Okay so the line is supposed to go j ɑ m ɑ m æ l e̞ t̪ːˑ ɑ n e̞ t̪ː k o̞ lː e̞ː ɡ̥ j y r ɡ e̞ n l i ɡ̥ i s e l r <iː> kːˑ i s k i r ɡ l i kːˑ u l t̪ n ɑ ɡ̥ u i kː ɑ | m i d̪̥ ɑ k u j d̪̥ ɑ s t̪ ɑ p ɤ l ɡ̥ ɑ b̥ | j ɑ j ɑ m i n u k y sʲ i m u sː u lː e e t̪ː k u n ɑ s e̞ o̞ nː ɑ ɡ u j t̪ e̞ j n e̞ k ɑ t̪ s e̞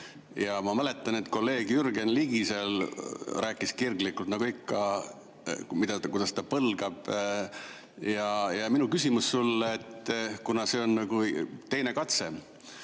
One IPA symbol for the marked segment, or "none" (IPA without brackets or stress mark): æː